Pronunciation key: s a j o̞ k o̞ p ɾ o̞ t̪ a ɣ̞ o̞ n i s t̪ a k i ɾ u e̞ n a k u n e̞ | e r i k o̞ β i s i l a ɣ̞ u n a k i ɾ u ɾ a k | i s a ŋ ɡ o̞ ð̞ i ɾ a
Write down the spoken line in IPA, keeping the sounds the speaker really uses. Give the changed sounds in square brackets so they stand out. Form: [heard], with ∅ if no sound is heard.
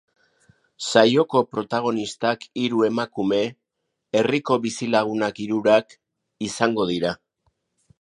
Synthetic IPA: s a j o̞ k o̞ p ɾ o̞ t̪ a ɣ̞ o̞ n i s t̪ a k i ɾ u e̞ [m] a k u [m] e̞ | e r i k o̞ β i s i l a ɣ̞ u n a k i ɾ u ɾ a k | i s a ŋ ɡ o̞ ð̞ i ɾ a